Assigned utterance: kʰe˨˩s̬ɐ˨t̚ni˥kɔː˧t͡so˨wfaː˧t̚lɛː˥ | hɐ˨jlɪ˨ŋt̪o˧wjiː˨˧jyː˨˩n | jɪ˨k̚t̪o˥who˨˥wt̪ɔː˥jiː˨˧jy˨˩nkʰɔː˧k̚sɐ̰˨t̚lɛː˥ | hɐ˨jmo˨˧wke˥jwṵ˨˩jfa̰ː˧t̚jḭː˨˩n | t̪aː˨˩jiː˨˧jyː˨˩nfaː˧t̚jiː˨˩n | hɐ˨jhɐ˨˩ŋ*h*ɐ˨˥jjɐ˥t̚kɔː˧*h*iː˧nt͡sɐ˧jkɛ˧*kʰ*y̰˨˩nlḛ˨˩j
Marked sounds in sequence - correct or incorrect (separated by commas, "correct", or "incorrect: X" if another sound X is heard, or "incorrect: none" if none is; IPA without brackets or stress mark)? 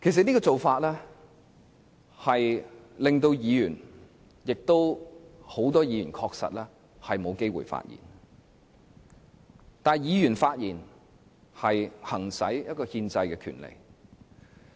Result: incorrect: s, correct, correct